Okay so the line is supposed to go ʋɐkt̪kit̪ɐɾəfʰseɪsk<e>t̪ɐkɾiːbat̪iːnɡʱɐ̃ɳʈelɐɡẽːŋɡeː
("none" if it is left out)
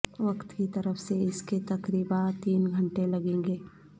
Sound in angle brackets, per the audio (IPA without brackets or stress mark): e